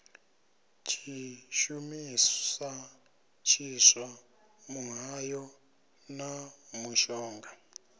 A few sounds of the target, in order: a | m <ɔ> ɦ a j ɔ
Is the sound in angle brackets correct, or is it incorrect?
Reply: incorrect